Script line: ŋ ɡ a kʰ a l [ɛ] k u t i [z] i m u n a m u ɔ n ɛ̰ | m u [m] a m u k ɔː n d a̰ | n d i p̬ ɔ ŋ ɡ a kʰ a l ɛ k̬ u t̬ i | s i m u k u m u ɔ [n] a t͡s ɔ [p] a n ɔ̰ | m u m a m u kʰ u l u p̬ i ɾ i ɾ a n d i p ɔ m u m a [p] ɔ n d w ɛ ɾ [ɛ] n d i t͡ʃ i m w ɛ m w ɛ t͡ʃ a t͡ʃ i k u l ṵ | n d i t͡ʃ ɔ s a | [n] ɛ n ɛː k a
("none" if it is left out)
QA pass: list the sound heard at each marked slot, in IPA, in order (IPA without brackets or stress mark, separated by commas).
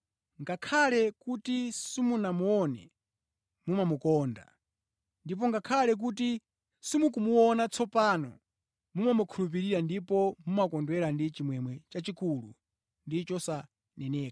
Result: ɛ, s, m, n, p, k, a, n